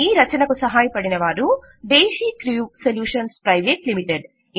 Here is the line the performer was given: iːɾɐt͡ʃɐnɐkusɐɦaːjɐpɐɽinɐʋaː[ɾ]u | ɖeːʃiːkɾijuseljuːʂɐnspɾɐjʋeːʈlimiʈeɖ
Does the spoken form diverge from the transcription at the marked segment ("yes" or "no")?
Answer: no